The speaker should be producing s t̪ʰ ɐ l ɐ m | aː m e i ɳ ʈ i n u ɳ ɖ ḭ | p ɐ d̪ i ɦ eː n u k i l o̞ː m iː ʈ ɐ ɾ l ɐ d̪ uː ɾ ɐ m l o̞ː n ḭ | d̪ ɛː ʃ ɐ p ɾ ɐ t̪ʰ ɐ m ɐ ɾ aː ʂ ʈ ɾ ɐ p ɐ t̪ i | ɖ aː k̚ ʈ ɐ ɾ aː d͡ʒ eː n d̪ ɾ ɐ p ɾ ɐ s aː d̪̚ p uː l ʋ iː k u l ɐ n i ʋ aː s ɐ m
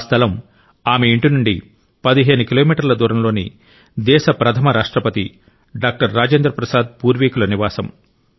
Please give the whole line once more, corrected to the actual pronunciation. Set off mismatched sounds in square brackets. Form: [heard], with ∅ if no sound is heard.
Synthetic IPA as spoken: s t̪ʰ ɐ l ɐ m | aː m e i ɳ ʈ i n u ɳ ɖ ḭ | p ɐ d̪ i ɦ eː n u k i l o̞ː m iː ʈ ɐ ɾ l ɐ d̪ uː ɾ ɐ m l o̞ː n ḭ | d̪ ɛː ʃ ɐ p ɾ ɐ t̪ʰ ɐ m ɐ ɾ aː ʂ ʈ ɾ ɐ p ɐ t̪ i | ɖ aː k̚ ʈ ɐ [ɾː] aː d͡ʒ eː n d̪ ɾ ɐ p ɾ ɐ s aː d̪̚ p uː [ɾ] ʋ iː k u l ɐ n i ʋ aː s ɐ m